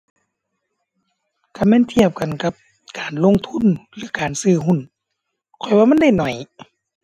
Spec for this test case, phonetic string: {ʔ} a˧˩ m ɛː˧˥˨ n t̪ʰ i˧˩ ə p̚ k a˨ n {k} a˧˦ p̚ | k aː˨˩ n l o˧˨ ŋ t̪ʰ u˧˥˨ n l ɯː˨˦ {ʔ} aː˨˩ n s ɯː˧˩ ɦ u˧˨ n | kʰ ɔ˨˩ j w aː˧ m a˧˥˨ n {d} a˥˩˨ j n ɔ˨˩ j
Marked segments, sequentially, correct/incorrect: incorrect, correct, incorrect, correct

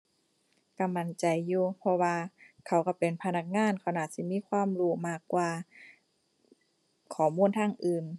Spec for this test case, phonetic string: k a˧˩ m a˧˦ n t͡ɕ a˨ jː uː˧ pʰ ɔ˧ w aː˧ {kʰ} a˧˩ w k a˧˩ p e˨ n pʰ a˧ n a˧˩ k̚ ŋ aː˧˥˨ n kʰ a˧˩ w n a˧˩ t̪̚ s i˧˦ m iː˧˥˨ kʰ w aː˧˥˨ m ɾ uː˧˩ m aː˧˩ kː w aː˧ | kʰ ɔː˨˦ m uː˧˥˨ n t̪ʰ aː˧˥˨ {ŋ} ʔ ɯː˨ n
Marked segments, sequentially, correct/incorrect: correct, correct

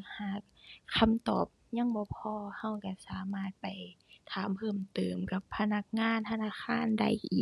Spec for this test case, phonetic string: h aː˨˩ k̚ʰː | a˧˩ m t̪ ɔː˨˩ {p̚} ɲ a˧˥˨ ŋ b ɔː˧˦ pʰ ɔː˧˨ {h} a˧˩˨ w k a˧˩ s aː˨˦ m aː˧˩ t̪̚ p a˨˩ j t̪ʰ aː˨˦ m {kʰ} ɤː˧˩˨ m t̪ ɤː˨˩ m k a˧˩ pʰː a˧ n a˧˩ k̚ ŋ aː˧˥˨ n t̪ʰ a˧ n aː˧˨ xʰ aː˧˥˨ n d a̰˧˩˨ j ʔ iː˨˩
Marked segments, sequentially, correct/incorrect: correct, correct, incorrect

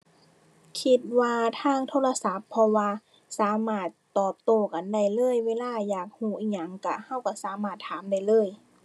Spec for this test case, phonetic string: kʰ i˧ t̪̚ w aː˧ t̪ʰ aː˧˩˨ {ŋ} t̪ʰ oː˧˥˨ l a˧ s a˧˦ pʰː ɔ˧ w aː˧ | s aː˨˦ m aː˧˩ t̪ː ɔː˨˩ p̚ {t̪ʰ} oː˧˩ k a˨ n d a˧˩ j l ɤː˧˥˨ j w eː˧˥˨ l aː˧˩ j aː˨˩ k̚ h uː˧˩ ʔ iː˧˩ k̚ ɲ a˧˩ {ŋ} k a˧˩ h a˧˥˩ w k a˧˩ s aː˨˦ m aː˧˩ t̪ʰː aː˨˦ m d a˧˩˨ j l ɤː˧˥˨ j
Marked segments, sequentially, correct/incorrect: correct, incorrect, correct

